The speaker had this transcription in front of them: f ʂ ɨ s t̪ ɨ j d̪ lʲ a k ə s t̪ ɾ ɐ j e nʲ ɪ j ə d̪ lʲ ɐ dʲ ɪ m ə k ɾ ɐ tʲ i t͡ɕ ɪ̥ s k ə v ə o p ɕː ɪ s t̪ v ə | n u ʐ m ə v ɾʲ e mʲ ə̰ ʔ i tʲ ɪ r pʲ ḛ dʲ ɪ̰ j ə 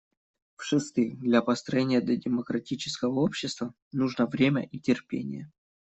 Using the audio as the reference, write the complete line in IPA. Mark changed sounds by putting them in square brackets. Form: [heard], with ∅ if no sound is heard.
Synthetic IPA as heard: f ʂ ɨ s t̪ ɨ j d̪ lʲ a [p] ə s t̪ ɾ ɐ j e nʲ ɪ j ə d̪ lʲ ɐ dʲ ɪ m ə k ɾ ɐ tʲ i t͡ɕ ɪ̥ s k ə v ə o p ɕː ɪ s t̪ v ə | n u ʐ [n] ə v ɾʲ e mʲ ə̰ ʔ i tʲ ɪ r pʲ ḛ [nʲ] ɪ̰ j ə